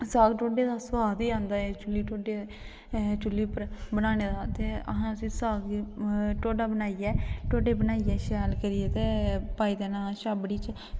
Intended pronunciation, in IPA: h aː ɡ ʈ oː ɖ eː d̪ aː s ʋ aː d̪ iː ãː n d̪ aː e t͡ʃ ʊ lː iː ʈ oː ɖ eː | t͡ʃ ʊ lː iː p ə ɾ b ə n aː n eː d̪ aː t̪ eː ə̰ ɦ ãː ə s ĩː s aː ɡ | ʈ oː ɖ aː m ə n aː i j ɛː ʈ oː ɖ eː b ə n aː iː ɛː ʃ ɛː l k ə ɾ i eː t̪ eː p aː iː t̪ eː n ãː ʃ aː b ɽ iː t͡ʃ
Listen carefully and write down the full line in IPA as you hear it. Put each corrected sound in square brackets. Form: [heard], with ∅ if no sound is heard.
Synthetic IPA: [s] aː ɡ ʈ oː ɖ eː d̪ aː s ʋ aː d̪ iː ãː n d̪ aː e t͡ʃ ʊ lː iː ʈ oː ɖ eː | t͡ʃ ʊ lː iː p ə ɾ b ə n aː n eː d̪ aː t̪ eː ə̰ ɦ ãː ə s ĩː s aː ɡ | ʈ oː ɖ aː [b] ə n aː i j ɛː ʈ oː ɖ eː b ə n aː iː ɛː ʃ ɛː l k ə ɾ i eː t̪ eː p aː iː [d̪] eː n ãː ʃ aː b ɽ iː t͡ʃ